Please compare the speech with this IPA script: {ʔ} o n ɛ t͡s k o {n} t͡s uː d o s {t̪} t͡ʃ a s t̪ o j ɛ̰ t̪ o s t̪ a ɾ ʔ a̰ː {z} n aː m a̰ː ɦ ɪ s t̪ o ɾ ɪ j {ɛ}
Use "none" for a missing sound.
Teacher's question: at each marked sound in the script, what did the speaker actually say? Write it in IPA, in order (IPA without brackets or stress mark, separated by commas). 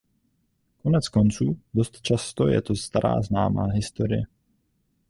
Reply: k, n, t̪, z, ɛ